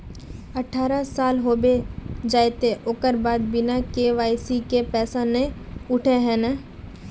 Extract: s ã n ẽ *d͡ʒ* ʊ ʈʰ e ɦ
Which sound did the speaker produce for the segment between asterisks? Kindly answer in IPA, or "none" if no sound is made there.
none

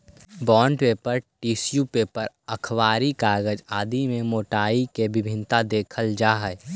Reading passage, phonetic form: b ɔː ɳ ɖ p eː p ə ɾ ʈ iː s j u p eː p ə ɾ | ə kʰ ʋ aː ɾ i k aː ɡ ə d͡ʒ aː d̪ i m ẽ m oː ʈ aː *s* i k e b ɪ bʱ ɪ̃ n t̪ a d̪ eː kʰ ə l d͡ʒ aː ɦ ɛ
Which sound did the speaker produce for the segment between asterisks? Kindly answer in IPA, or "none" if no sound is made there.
none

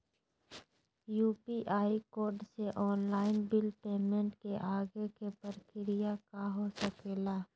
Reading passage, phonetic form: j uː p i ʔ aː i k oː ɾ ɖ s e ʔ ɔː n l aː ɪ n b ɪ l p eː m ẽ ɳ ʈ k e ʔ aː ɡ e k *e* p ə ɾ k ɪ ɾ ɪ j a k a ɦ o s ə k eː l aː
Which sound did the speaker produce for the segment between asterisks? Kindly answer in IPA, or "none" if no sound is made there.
e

